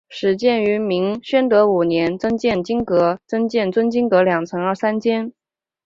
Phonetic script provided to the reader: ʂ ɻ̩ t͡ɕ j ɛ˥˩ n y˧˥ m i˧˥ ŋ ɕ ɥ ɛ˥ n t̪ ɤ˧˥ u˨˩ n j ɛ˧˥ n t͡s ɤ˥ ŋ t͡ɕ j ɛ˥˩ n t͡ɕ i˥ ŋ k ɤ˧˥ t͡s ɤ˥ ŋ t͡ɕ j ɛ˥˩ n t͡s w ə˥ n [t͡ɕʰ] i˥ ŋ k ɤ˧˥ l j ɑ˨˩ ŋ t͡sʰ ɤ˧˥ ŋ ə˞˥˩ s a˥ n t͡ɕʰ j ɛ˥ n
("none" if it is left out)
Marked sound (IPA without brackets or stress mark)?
t͡ɕ